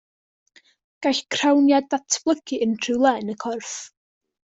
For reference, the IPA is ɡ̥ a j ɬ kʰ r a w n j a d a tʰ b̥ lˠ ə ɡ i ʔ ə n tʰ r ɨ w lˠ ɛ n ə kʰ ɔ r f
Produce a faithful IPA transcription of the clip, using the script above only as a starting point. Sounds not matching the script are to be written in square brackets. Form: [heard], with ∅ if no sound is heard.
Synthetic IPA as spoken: ɡ̥ a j ɬ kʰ r a w n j a d a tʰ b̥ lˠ ə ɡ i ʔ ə n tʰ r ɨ w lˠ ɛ n ə kʰ ɔ r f